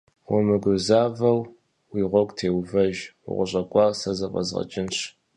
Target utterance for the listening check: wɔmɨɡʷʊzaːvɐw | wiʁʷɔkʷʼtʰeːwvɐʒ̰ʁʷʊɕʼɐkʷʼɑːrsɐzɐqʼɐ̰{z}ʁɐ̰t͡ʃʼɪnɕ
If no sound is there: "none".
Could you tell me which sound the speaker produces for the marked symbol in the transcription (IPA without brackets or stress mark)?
z